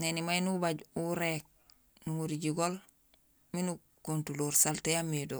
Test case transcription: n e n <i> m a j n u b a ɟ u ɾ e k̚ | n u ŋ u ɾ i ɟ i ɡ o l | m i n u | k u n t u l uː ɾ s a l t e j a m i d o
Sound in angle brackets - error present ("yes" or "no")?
no